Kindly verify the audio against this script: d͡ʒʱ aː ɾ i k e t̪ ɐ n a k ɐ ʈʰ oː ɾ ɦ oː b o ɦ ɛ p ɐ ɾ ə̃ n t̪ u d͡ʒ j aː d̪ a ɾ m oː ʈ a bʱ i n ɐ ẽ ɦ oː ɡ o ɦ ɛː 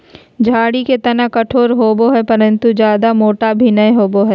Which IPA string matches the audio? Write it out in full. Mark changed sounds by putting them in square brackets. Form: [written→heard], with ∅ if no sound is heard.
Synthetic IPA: d͡ʒʱ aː [ɾ→ɽ] i k e t̪ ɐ n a k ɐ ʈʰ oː ɾ ɦ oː b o ɦ ɛ p ɐ ɾ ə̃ n t̪ u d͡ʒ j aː d̪ a [ɾ→∅] m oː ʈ a bʱ i n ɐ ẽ ɦ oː [ɡ→b] o ɦ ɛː